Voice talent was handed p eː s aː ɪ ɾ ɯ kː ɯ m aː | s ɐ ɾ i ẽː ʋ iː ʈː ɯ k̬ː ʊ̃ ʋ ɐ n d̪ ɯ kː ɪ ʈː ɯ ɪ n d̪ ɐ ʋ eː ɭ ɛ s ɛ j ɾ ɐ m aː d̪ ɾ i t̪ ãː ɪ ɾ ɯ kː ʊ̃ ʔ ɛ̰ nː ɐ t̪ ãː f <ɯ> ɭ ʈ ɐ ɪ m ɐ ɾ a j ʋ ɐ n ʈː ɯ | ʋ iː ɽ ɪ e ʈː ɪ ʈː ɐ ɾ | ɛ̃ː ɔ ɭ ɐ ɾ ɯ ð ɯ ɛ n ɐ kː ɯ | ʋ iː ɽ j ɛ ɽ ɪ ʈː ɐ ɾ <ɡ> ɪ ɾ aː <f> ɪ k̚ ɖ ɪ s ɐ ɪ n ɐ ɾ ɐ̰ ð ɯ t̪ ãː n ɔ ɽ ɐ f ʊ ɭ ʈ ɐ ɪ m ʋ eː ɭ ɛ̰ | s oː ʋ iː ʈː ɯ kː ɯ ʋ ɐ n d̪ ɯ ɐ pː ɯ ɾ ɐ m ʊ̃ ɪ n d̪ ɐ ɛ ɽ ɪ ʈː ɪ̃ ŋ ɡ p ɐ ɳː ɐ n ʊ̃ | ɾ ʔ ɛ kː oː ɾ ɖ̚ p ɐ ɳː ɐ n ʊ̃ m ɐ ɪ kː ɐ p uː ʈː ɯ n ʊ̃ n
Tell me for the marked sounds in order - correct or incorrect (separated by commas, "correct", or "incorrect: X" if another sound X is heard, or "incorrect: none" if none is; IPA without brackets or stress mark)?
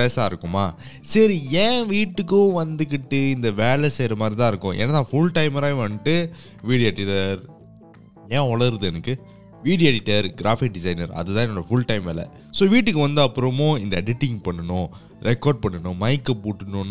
incorrect: ʊ, correct, correct